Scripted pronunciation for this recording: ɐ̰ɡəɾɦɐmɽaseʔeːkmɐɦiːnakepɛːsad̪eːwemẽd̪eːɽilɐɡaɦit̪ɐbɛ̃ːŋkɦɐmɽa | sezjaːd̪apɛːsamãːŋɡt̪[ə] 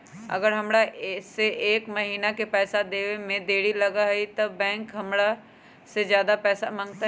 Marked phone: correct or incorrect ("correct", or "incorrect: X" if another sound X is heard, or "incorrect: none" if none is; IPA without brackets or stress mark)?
incorrect: a